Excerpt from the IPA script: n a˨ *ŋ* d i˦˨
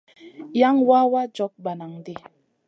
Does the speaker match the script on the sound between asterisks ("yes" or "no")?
yes